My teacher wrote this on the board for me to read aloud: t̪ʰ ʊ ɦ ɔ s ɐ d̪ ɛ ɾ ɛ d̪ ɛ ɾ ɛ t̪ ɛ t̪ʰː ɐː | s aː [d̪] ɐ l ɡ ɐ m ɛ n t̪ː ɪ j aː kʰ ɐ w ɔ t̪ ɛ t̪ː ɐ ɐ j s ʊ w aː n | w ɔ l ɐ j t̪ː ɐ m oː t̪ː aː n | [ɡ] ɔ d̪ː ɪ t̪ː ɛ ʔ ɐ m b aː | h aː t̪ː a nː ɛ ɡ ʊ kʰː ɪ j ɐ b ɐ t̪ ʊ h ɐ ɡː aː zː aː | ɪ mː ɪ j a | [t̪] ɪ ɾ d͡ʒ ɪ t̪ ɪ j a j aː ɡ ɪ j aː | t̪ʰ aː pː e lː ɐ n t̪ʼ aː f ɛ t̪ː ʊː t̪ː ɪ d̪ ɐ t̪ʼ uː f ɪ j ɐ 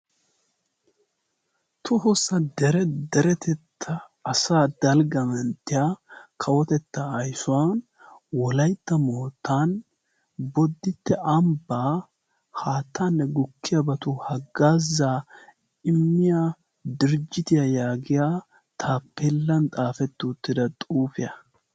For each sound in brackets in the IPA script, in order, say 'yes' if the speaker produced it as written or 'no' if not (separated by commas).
yes, no, no